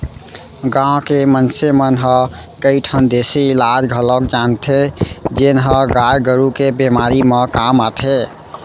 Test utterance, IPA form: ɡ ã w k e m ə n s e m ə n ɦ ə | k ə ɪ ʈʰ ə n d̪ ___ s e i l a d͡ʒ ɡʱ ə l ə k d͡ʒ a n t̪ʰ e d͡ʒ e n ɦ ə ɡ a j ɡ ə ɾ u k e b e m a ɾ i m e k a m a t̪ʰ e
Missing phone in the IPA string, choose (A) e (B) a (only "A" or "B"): A